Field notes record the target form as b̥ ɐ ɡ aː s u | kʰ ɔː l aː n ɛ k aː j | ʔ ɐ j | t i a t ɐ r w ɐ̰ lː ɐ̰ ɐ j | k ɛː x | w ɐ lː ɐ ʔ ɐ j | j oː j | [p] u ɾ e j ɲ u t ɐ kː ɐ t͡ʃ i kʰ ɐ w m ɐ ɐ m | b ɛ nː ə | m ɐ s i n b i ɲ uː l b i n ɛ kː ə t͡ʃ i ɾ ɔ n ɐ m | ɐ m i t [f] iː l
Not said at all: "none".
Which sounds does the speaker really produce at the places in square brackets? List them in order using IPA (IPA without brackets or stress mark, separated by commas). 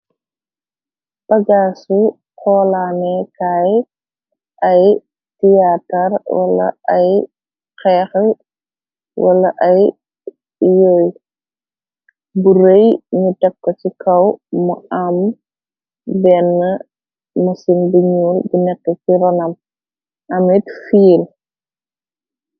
b, f